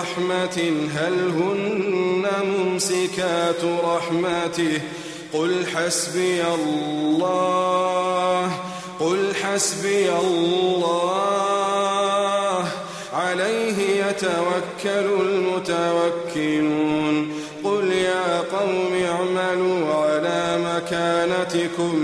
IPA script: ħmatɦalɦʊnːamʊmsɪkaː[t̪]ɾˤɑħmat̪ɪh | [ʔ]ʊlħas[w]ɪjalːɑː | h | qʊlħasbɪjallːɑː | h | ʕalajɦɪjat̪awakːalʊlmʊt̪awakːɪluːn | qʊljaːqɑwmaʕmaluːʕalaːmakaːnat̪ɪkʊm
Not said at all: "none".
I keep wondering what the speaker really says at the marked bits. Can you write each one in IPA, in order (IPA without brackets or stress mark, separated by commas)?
t̪, q, b